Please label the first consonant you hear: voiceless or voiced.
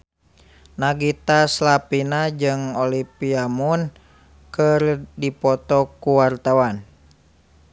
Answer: voiced